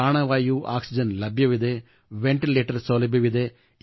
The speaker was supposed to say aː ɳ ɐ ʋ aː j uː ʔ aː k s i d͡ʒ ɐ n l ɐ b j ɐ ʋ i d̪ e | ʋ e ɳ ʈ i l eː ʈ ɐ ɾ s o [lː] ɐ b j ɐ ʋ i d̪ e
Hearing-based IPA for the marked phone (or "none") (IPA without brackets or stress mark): l